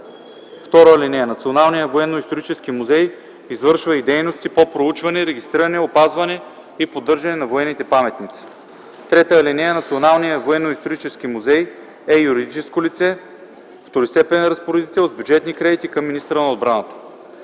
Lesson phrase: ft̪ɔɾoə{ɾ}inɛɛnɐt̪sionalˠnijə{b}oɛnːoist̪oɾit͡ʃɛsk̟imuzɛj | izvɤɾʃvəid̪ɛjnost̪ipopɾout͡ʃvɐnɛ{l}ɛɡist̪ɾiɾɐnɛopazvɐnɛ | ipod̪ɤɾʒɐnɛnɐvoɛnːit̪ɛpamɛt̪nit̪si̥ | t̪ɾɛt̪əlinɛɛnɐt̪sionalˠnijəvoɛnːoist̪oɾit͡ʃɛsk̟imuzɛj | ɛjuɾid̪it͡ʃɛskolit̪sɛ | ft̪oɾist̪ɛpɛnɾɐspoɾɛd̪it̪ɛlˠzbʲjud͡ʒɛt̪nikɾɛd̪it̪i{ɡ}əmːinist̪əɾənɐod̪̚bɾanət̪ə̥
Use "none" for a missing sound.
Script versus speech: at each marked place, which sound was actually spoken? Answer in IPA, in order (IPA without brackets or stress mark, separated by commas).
l, v, ɾ, k